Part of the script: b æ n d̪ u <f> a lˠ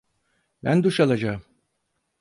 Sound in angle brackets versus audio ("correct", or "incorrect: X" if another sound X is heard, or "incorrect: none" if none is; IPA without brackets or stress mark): incorrect: ʃ